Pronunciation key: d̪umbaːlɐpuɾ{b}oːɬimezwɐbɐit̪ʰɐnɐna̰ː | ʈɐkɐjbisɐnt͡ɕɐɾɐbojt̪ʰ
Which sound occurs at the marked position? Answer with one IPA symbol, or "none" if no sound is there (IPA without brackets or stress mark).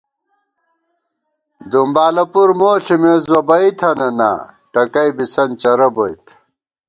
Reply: m